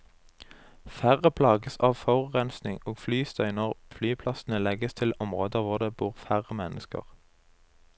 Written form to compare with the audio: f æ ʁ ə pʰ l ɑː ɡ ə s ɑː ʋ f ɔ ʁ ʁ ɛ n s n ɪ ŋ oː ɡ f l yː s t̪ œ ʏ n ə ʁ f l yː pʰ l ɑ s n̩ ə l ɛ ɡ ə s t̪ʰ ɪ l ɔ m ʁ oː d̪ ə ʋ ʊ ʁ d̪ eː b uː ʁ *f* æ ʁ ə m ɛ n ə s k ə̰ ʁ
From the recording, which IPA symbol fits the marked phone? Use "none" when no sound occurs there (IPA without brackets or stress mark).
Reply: f